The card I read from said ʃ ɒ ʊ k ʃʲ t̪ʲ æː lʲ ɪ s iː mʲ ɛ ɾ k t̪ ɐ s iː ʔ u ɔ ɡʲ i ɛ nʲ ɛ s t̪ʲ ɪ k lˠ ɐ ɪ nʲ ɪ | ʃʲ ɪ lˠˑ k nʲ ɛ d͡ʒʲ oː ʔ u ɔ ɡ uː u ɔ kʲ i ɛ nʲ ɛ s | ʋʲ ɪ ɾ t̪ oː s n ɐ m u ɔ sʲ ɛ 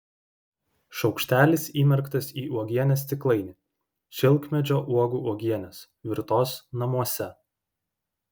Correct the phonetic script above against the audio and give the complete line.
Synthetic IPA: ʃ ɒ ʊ k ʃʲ t̪ʲ æː lʲ ɪ s iː mʲ ɛ ɾ k t̪ ɐ s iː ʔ u ɔ ɡʲ i ɛ nʲ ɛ s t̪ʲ ɪ k lˠ ɐ ɪ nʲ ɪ | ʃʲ ɪ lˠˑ k mʲ ɛ d͡ʒʲ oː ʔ u ɔ ɡ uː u ɔ ɡʲ i ɛ nʲ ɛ s | ʋʲ ɪ ɾ t̪ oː s n ɐ m u ɔ sʲ ɛ